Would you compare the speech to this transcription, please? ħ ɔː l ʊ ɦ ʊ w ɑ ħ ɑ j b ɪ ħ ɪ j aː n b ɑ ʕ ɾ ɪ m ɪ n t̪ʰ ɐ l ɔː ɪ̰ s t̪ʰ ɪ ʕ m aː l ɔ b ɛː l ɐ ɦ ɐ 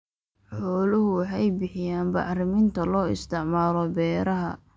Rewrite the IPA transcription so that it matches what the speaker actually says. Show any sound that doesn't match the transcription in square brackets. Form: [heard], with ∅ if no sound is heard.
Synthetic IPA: ħ ɔː l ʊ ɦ ʊ w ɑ ħ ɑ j b ɪ ħ ɪ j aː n b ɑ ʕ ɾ ɪ m ɪ n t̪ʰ ɐ l ɔː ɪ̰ s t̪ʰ ɪ ʕ m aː l ɔ b ɛː [ɾ] ɐ ɦ ɐ

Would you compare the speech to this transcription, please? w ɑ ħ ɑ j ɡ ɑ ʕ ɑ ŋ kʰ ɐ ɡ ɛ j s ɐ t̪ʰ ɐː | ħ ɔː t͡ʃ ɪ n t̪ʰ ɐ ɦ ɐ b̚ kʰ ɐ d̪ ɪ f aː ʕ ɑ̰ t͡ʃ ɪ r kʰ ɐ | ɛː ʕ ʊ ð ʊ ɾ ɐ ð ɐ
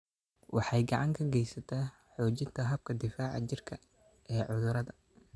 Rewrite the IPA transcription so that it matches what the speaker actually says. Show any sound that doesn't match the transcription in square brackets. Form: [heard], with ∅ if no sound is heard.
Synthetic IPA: w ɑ ħ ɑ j ɡ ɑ ʕ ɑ ŋ kʰ ɐ ɡ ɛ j s ɐ t̪ʰ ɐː | ħ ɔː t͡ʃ ɪ n t̪ʰ ɐ ɦ ɐ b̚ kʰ ɐ d̪ ɪ f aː ʕ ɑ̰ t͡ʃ ɪ r kʰ ɐ | ɛː ʕ ʊ ð ʊ ɾ ɐ ð ɐ

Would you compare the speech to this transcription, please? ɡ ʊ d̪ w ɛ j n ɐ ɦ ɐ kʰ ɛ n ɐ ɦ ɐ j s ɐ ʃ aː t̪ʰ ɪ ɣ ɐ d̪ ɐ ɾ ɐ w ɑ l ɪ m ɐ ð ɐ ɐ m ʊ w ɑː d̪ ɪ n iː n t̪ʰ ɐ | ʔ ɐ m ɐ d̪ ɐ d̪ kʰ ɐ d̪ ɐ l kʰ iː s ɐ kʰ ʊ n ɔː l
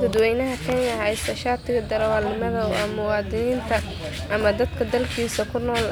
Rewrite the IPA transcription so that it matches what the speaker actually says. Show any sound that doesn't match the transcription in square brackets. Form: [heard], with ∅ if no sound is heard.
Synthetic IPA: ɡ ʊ d̪ w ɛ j n ɐ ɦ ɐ kʰ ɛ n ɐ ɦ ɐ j s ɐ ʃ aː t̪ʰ ɪ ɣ ɐ d̪ ɐ ɾ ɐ w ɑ l ɪ m ɐ ð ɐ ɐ m ʊ w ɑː d̪ ɪ n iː n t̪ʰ ɐ | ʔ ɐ m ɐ d̪ ɐ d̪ kʰ ɐ d̪ ɐ l kʰ iː s ɐ kʰ ʊ n ɔː l

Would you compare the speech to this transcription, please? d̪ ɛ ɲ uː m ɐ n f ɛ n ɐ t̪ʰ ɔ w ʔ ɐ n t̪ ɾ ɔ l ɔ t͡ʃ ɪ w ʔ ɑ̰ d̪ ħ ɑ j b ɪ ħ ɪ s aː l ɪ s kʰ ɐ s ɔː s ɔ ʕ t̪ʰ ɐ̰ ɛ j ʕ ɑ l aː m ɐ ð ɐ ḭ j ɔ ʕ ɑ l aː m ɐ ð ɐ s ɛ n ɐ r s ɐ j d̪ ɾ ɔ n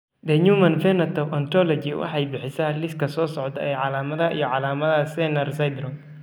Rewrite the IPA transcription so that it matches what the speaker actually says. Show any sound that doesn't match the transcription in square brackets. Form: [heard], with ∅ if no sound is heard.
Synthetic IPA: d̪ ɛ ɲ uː m ɐ n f ɛ n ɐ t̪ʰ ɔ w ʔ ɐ n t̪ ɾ ɔ l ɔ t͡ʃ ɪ w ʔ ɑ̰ [∅] ħ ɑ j b ɪ ħ ɪ s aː l ɪ s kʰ ɐ s ɔː s ɔ ʕ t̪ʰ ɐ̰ ɛ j ʕ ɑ l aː m ɐ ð ɐ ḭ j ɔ ʕ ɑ l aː m ɐ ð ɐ s ɛ n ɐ r s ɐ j d̪ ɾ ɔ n

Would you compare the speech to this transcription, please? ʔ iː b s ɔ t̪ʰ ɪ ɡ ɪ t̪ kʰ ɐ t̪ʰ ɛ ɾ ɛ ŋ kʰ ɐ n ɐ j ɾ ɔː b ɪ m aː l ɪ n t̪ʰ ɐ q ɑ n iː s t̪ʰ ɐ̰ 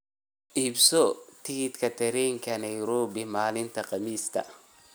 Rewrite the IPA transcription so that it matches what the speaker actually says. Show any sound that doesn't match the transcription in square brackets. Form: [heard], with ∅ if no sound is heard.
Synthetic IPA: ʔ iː b s ɔ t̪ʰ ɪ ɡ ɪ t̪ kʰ ɐ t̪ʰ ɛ ɾ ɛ ŋ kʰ ɐ n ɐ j ɾ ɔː b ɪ m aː l ɪ n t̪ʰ ɐ q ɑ [m] iː s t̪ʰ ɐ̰

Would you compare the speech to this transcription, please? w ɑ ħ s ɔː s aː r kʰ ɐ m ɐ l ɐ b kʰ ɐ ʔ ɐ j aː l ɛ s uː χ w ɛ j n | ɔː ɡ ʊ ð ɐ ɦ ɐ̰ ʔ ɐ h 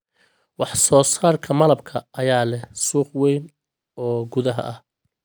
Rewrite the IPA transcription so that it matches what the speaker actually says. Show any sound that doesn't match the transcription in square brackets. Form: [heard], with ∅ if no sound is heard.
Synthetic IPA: w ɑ ħ s ɔː s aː r kʰ ɐ m ɐ l ɐ b kʰ ɐ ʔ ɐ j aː l ɛ s uː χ w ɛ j n | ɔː ɡ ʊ ð ɐ ɦ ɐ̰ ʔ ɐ h

